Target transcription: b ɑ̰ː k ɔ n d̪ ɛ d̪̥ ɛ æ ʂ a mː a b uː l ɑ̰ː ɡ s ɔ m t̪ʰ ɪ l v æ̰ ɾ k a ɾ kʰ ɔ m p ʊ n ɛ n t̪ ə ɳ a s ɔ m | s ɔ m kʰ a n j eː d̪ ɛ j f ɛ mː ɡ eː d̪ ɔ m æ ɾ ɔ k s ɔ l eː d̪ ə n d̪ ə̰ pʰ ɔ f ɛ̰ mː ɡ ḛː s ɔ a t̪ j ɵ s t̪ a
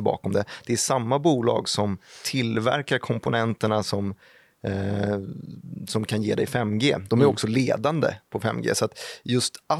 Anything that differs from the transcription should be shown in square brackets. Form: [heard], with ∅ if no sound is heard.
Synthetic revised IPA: b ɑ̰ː k ɔ [m] d̪ ɛ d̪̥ ɛ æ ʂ a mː a b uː l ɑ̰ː ɡ s ɔ m t̪ʰ ɪ l v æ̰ ɾ k a ɾ kʰ ɔ m p ʊ n ɛ n t̪ ə ɳ a s ɔ m | s ɔ m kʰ a n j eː d̪ ɛ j f ɛ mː ɡ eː d̪ ɔ m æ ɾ ɔ k s ɔ l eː d̪ [a] n d̪ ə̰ pʰ ɔ f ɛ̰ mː ɡ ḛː s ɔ a t̪ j ɵ s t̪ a